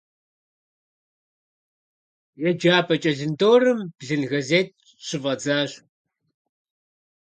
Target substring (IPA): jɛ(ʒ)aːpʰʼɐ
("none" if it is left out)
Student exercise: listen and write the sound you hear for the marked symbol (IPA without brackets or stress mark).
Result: d͡ʒ